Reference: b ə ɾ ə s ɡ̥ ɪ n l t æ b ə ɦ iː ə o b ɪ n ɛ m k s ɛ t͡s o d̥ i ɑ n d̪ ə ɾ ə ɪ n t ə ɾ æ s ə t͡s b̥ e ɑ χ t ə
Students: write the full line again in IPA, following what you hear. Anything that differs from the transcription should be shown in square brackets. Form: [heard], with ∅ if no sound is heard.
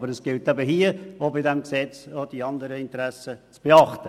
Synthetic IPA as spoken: b ə ɾ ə s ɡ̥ ɪ [∅] l t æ b ə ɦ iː ə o b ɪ [d] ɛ m k s ɛ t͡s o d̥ i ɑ n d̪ ə ɾ ə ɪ n t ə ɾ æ s ə t͡s b̥ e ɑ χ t ə